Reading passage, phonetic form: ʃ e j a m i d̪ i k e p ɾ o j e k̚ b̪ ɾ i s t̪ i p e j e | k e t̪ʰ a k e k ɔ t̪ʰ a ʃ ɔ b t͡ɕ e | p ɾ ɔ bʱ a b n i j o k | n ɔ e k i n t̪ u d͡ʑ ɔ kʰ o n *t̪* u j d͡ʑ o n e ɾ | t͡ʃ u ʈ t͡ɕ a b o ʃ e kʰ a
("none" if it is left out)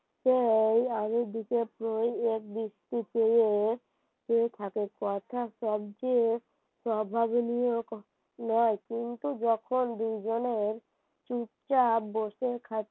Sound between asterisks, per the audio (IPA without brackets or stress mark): d̪